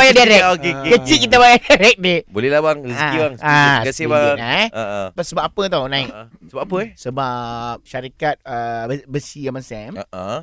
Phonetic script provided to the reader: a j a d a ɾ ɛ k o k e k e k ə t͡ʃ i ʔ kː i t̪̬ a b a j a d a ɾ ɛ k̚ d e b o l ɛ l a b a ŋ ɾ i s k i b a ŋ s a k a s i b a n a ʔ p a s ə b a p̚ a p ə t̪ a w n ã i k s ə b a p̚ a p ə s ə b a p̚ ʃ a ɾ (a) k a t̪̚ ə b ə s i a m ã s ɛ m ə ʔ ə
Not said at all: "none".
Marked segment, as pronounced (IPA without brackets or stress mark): i